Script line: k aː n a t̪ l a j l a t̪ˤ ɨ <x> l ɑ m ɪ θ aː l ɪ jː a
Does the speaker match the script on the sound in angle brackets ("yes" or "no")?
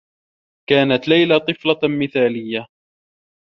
no